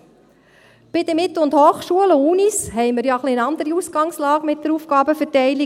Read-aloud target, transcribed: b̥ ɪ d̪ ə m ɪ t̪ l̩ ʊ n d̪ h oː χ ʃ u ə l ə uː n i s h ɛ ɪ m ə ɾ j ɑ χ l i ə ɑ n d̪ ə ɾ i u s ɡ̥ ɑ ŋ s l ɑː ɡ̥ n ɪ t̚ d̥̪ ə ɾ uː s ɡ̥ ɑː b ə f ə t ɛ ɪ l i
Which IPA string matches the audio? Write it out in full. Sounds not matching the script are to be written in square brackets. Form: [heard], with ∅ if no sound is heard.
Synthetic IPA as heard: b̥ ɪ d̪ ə m ɪ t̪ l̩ ʊ n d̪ h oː χ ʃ u ə l ə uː n i s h ɛ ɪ m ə ɾ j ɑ χ l i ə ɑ n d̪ ə ɾ i u s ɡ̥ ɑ ŋ s l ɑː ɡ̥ [m] ɪ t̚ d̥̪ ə ɾ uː [f] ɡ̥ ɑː b ə f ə t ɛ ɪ l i